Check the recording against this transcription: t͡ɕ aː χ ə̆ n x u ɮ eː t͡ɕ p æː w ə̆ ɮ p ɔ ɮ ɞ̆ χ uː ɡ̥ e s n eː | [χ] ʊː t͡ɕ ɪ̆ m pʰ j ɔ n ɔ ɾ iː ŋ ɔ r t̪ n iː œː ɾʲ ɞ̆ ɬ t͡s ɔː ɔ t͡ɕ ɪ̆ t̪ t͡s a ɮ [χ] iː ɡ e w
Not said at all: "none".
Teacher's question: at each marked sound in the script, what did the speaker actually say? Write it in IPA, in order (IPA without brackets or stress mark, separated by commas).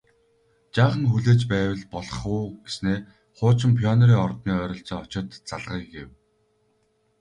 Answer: χ, ʁ